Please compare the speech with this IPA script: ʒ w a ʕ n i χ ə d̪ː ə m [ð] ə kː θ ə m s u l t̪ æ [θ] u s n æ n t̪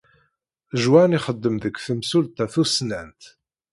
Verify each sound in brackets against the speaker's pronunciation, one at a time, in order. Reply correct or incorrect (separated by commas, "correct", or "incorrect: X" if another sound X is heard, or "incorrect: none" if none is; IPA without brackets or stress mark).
correct, correct